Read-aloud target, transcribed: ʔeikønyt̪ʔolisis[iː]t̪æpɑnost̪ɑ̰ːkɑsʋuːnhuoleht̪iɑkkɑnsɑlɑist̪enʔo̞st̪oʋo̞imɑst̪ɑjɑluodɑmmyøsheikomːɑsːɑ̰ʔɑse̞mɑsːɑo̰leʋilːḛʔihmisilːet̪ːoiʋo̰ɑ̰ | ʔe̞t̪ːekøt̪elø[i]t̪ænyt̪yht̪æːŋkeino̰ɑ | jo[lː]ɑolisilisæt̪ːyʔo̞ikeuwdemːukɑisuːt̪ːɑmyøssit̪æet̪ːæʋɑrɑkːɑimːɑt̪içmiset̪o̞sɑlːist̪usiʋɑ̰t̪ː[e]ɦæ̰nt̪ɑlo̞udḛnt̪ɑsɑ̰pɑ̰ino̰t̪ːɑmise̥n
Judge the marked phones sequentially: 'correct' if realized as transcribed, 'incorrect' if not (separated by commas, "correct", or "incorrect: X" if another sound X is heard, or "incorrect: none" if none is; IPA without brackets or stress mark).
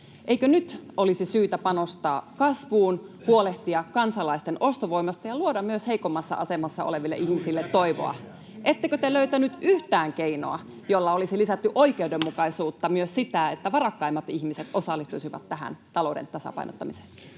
incorrect: yː, incorrect: y, correct, incorrect: æ